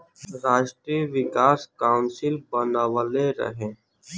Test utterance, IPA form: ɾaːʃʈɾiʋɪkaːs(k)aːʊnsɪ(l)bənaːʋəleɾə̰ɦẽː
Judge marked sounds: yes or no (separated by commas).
yes, yes